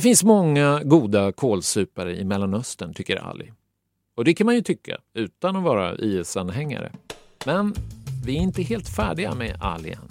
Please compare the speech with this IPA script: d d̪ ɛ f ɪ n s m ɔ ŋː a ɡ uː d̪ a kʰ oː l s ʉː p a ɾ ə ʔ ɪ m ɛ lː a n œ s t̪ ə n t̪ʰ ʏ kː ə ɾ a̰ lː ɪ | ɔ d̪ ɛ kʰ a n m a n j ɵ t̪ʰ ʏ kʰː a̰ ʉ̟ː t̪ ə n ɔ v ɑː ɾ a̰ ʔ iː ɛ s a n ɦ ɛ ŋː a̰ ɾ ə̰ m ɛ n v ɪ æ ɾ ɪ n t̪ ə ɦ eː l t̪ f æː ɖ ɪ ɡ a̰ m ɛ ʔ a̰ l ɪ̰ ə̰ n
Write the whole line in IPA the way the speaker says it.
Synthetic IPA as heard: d d̪ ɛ f ɪ n s m ɔ ŋː a ɡ uː d̪ a kʰ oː l s ʉː p a ɾ ə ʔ ɪ m ɛ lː a n œ s t̪ ə n t̪ʰ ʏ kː ə ɾ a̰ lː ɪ | ɔ d̪ ɛ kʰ a n m a n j ɵ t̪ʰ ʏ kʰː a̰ ʉ̟ː t̪ a n ɔ v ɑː ɾ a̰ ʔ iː ɛ s a n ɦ ɛ ŋː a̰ ɾ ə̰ m ɛ n v ɪ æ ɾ ɪ n t̪ ə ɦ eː l t̪ f æː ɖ ɪ ɡ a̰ m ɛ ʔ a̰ l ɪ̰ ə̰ n